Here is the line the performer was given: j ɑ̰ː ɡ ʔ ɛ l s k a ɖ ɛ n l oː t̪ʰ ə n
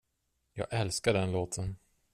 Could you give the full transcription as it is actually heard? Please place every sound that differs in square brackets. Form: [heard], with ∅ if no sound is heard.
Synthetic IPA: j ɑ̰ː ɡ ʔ ɛ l s k a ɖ ɛ n l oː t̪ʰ ə n